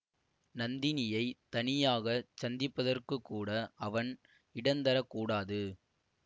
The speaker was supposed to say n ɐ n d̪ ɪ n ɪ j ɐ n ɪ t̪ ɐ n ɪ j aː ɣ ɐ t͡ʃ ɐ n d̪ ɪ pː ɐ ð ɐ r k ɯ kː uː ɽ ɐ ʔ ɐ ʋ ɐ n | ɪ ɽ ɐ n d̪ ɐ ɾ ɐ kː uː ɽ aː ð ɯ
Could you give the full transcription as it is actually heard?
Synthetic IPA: n ɐ n d̪ ɪ n ɪ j ɐ ɪ t̪ ɐ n ɪ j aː ɣ ɐ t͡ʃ ɐ n d̪ ɪ pː ɐ ð ɐ r k ɯ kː uː ɽ ɐ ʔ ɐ ʋ ɐ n | ɪ ɽ ɐ n d̪ ɐ ɾ ɐ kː uː ɽ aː ð ɯ